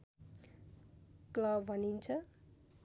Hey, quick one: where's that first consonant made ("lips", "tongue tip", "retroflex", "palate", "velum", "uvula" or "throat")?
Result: velum